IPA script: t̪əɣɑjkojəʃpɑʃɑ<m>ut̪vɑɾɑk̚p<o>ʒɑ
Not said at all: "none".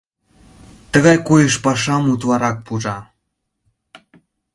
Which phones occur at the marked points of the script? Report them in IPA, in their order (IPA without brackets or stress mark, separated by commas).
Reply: m, u